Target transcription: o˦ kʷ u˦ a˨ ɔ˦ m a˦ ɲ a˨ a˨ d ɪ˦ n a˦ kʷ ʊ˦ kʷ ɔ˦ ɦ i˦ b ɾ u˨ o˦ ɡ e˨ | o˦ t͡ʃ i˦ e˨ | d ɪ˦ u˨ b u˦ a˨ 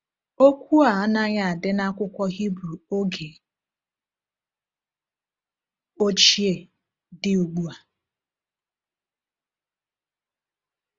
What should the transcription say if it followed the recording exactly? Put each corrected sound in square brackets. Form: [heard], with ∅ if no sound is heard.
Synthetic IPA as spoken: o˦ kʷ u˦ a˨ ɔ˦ [n] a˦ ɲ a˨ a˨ d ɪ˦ n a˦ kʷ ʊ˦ kʷ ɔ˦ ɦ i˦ b ɾ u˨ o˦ ɡ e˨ | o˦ t͡ʃ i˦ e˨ | d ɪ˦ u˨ [ɡ͡b] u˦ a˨